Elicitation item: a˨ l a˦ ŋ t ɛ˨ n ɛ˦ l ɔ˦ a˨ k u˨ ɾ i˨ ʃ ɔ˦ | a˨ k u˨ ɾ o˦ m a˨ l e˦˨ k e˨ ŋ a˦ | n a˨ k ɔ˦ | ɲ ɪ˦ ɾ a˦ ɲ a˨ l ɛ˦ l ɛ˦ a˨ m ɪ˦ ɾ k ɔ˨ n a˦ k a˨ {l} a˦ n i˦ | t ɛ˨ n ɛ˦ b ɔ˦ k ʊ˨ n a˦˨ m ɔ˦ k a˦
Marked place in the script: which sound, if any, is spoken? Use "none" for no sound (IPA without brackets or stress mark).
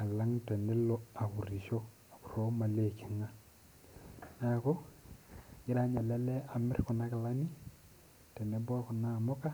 l